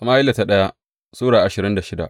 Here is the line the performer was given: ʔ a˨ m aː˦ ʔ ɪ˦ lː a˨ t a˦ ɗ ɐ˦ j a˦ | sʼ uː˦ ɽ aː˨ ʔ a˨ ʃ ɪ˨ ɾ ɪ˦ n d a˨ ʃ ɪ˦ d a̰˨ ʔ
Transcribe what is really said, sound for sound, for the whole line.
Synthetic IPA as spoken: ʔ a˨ m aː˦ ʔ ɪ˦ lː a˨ t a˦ ɗ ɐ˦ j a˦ | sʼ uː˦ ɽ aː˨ ʔ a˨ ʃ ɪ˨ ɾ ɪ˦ n d a˨ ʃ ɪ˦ d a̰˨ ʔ